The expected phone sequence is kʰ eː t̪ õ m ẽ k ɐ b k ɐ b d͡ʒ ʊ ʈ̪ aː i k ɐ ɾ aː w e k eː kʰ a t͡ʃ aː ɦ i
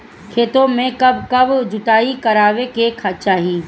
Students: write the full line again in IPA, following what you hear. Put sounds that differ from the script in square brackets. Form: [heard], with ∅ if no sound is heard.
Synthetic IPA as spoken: kʰ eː t̪ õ m ẽ k ɐ b k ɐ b d͡ʒ ʊ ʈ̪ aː i k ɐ ɾ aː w e k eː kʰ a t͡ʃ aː ɦ i